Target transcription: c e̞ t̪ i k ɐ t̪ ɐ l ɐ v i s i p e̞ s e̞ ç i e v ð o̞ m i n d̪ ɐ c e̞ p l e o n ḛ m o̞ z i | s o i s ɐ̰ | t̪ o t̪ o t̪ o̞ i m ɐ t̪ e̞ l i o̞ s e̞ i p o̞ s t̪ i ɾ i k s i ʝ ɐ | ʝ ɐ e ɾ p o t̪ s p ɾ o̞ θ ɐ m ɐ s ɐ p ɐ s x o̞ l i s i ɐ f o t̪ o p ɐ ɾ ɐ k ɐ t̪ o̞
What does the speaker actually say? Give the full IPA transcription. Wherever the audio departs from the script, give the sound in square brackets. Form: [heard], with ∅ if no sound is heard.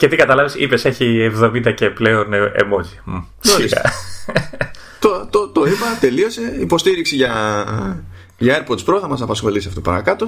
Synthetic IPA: c e̞ t̪ i k ɐ t̪ ɐ l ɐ v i s i p e̞ s e̞ ç i e v ð o̞ m i n d̪ ɐ c e̞ p l e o n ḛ m o̞ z i | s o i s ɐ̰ | t̪ o t̪ o t̪ o̞ i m ɐ t̪ e̞ l i o̞ s e̞ i p o̞ s t̪ i ɾ i k s i ʝ ɐ | ʝ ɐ e ɾ p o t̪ s p ɾ o̞ θ ɐ m ɐ s ɐ p ɐ s x o̞ l i s i ɐ f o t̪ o p ɐ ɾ ɐ k ɐ t̪ o̞